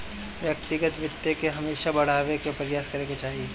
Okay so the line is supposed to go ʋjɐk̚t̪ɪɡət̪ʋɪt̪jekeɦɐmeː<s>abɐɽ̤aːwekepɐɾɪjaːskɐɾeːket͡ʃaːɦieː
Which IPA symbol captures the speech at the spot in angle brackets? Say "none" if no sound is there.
ʃ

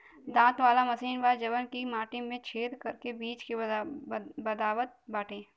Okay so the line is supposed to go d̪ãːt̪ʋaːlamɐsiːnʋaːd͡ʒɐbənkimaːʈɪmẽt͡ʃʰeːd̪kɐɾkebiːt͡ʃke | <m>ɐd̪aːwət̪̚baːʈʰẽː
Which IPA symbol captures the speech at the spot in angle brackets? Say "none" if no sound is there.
b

